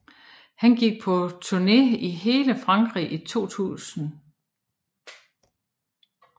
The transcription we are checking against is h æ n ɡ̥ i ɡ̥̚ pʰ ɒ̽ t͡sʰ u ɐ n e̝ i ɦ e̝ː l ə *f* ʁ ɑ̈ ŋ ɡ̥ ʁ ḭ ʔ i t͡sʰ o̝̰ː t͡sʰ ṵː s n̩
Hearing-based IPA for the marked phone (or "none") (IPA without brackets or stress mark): f